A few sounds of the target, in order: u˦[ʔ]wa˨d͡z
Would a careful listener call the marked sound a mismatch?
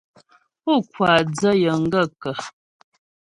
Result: yes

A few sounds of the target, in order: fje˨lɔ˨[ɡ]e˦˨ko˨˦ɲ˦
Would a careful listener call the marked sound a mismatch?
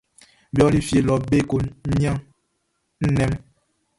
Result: yes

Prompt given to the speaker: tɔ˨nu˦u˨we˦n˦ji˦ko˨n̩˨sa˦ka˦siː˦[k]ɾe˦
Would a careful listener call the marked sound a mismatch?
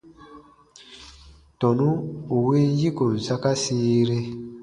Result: yes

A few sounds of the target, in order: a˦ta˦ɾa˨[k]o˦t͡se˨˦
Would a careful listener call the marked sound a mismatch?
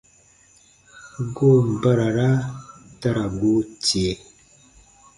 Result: yes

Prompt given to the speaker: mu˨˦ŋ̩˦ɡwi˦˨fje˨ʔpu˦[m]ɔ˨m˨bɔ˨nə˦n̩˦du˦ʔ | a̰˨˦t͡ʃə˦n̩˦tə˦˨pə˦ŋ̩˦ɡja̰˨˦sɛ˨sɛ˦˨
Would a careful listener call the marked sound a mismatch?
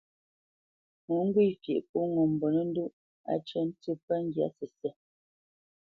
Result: yes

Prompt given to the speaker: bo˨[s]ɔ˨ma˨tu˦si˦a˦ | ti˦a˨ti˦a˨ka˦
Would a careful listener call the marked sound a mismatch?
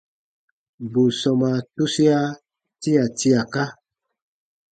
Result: no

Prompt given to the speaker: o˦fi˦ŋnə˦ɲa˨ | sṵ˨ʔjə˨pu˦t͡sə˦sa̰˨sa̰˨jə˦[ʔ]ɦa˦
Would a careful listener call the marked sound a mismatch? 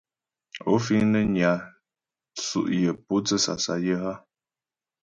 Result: yes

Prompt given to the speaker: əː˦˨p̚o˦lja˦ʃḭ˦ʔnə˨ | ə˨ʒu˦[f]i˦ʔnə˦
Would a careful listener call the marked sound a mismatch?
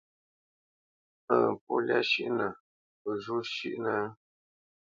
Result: yes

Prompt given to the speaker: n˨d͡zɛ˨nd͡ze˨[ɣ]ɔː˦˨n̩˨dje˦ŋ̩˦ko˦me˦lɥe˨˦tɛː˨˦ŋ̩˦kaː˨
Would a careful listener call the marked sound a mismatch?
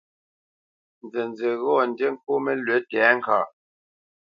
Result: no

